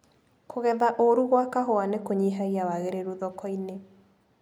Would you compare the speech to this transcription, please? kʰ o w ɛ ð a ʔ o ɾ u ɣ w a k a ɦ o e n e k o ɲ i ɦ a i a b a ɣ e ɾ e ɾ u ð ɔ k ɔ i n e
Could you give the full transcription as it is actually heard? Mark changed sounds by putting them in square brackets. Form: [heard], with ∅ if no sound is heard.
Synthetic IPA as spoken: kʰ o [ɣ] ɛ ð a ʔ o ɾ u ɣ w a k a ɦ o [a] n e k o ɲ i ɦ a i a [w] a ɣ e ɾ e ɾ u ð ɔ k ɔ i n e